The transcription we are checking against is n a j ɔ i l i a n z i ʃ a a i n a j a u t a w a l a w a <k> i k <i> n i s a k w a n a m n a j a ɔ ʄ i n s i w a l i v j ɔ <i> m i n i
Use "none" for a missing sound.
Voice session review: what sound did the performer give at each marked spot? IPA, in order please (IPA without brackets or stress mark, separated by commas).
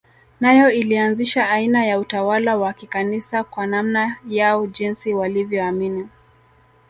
k, a, a